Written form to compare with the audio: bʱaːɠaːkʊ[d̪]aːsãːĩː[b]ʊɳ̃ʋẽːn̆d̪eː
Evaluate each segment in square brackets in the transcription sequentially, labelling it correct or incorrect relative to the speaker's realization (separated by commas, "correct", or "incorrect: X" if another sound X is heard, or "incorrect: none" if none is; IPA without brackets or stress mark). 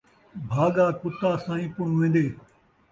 incorrect: t̪, incorrect: p